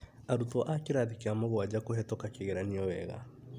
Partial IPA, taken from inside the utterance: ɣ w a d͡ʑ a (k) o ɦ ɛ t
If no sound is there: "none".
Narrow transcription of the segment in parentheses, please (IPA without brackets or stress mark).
k